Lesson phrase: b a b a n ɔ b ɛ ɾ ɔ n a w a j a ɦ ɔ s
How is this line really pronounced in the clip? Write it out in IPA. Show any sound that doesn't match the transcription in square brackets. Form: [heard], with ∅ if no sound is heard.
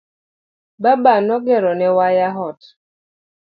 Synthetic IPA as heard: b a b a n ɔ [ɡ] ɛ ɾ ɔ n [ɛ] w a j a ɦ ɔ [t]